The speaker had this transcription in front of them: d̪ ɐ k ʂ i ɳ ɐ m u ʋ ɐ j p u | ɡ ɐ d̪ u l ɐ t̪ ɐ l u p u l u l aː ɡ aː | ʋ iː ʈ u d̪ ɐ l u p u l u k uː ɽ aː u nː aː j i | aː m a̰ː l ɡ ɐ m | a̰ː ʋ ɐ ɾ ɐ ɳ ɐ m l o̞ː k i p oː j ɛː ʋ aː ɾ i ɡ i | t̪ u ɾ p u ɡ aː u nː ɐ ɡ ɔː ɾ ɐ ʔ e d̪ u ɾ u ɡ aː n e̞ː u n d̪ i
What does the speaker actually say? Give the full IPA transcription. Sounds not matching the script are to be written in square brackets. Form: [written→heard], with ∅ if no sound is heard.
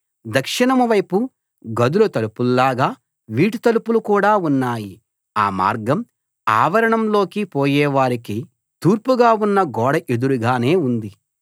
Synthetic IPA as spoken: d̪ ɐ k ʂ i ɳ ɐ m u ʋ ɐ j p u | ɡ ɐ d̪ u l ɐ t̪ ɐ l u p u l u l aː ɡ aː | ʋ iː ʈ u [d̪→t̪] ɐ l u p u l u k uː ɽ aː u nː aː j i | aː m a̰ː [l→ɾ] ɡ ɐ m | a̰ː ʋ ɐ ɾ ɐ ɳ ɐ m l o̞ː k i p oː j ɛː ʋ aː ɾ i [ɡ→k] i | t̪ [u→uː] ɾ p u ɡ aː u nː ɐ ɡ ɔː [ɾ→ɽ] ɐ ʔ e d̪ u ɾ u ɡ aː n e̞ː u n d̪ i